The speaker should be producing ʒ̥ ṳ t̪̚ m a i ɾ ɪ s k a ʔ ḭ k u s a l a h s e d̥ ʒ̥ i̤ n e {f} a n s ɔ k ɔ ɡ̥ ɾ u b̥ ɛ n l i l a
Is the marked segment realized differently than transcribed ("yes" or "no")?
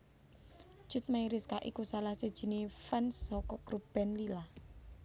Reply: no